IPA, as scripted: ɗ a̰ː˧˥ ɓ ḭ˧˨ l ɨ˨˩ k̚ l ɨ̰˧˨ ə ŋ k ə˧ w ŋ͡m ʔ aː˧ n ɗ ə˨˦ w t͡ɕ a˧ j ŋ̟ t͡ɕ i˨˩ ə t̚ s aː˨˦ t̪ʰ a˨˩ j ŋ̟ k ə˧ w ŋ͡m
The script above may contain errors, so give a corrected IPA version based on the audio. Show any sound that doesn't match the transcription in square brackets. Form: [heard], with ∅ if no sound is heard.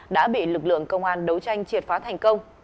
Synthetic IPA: ɗ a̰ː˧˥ ɓ ḭ˧˨ l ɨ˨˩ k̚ l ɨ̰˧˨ ə ŋ k ə˧ w ŋ͡m ʔ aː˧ n ɗ ə˨˦ w t͡ɕ a˧ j ŋ̟ t͡ɕ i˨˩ ə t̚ [f] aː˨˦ t̪ʰ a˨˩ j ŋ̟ k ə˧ w ŋ͡m